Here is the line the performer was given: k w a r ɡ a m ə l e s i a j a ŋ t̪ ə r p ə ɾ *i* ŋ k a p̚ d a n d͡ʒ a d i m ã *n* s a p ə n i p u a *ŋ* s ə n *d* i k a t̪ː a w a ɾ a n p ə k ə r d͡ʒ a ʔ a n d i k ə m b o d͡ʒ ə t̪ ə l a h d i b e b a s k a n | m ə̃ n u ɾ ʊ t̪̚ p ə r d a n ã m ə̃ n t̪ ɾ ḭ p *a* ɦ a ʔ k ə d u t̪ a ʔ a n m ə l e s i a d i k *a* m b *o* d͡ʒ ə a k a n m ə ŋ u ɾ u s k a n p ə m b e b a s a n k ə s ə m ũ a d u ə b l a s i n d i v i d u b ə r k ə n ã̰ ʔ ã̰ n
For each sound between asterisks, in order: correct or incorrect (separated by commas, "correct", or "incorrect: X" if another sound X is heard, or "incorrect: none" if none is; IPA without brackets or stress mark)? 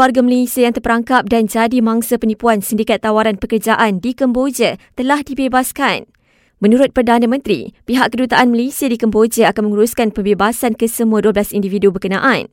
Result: incorrect: a, incorrect: ŋ, incorrect: n, correct, incorrect: i, incorrect: ə, correct